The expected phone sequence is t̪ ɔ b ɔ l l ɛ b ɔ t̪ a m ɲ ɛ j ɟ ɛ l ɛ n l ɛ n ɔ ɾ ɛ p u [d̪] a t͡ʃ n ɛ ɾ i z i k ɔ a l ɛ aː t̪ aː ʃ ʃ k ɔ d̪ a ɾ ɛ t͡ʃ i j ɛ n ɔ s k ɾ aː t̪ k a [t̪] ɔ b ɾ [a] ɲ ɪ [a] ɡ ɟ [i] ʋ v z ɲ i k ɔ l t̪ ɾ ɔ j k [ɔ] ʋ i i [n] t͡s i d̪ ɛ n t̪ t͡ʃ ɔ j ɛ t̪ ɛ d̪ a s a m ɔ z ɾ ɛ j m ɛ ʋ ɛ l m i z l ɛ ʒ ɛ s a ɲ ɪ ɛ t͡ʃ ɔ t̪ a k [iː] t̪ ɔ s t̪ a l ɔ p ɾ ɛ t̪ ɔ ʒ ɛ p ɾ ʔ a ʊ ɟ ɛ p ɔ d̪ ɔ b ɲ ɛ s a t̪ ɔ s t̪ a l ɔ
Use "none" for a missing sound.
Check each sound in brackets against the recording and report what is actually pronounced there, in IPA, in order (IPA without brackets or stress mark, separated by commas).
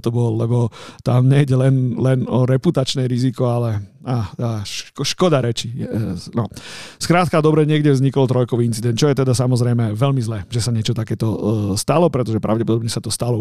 t̪, d̪, ɛ, ɛ, ɛ, ɔ, n, ɛː